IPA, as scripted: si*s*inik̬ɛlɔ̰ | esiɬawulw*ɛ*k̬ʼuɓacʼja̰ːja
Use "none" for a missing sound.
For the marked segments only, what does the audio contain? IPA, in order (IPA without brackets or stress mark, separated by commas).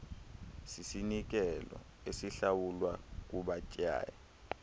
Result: s, a